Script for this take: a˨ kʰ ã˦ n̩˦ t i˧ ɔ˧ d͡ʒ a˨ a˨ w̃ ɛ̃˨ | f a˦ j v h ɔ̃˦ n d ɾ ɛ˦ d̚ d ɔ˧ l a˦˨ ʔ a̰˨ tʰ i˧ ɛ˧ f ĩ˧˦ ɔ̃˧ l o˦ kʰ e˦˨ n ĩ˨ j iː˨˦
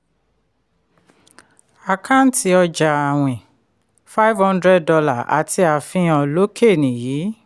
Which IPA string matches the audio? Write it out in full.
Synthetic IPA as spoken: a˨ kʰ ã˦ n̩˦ t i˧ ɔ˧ d͡ʒ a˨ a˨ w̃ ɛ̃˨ | f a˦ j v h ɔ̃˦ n d ɾ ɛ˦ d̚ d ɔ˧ l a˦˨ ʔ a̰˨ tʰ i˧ a˧ f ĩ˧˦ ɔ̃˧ l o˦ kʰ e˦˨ n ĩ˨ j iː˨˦

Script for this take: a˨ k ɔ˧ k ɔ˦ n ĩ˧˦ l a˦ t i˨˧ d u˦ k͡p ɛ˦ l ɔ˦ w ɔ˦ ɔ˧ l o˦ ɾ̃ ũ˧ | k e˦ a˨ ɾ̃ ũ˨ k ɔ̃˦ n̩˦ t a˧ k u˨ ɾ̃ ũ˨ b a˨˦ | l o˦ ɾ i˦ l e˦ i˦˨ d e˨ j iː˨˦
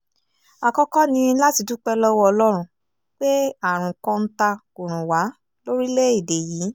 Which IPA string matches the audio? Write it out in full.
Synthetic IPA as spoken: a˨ k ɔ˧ k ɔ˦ n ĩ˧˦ l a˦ t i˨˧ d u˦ k͡p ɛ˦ l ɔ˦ w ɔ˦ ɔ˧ l ɔ˦ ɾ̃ ũ˧ | k͡p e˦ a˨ ɾ̃ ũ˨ k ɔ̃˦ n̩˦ t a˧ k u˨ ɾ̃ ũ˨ w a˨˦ | l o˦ ɾ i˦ l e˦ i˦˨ d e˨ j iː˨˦

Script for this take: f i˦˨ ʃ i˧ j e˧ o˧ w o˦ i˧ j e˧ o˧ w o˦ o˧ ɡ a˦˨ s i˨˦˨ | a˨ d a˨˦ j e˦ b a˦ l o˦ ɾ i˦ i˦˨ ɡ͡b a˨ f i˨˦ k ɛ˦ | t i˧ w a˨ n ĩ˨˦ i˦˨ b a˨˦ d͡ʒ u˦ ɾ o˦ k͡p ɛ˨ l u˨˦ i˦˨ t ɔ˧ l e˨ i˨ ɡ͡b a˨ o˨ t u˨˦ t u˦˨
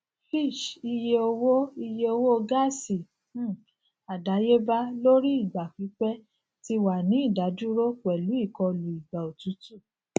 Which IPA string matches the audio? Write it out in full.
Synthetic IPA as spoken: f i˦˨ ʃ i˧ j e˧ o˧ w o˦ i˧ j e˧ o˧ w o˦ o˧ ɡ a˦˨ s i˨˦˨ | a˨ d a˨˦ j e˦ b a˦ l o˦ ɾ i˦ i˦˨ ɡ͡b a˨ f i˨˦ k͡p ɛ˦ | t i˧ w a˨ n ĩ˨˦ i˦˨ d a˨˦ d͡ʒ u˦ ɾ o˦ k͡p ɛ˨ l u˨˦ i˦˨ k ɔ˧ l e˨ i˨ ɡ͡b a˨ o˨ t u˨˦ t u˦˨

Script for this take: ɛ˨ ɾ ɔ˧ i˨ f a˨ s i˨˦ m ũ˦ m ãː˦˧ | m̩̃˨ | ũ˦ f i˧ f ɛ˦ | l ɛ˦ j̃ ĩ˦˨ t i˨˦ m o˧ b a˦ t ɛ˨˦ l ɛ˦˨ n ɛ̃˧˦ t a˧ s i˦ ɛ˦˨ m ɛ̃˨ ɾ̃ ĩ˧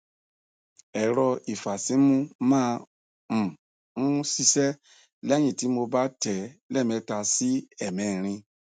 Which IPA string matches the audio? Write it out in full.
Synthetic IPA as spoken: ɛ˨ ɾ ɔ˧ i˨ f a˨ s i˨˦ m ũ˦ m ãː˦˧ | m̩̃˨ | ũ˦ s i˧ s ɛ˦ | l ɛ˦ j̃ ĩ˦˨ t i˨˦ m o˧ b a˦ t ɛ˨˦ l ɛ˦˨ m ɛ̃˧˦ t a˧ s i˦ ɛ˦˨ m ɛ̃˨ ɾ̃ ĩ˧

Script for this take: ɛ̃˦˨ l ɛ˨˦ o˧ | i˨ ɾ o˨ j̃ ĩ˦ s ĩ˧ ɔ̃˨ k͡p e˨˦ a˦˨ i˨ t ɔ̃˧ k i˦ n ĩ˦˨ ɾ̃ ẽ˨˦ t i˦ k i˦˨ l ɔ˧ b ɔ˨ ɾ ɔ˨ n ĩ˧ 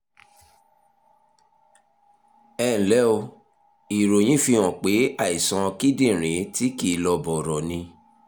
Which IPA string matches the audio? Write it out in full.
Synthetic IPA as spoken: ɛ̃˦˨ l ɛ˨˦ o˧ | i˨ ɾ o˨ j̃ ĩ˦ f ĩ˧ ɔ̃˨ k͡p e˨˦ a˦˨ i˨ s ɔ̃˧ k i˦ d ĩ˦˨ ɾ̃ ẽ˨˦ t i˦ k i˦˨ l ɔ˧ b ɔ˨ ɾ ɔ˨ n ĩ˧

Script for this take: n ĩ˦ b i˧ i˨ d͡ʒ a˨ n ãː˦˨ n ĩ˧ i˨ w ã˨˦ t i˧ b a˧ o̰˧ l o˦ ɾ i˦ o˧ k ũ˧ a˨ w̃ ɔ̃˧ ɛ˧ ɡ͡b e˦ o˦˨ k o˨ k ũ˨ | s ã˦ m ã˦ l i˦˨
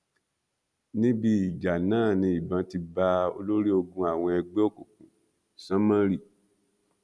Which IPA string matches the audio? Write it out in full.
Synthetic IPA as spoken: n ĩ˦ b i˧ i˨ d͡ʒ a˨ n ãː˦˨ n ĩ˧ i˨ b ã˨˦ t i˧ b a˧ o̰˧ l o˦ ɾ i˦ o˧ ɡ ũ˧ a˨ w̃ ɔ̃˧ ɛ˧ ɡ͡b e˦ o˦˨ k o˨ k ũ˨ | s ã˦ m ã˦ ɾ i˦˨

